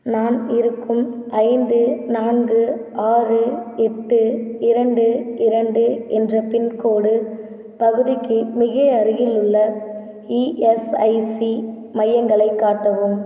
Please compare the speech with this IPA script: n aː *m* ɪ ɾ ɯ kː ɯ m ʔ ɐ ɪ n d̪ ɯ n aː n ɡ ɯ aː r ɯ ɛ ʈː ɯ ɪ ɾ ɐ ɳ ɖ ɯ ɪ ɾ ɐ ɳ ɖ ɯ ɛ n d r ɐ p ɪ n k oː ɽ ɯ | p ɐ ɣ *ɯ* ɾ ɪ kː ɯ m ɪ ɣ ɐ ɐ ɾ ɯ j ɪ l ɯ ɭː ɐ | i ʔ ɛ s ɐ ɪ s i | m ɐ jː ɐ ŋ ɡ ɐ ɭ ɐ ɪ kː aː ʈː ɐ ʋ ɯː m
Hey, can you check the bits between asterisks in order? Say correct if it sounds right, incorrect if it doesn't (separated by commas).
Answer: incorrect, correct